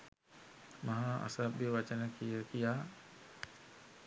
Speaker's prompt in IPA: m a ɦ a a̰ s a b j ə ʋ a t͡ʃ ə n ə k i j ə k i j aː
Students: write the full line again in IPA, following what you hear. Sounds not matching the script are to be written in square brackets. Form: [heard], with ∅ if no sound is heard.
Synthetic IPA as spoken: m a ɦ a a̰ s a b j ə ʋ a t͡ʃ ə n ə k i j ə k i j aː